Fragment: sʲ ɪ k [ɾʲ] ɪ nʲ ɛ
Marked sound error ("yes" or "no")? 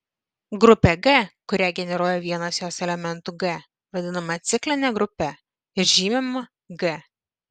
yes